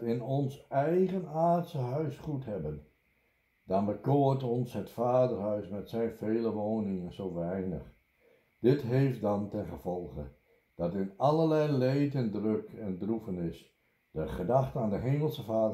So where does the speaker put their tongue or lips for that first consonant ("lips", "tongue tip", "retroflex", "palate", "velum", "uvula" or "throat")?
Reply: tongue tip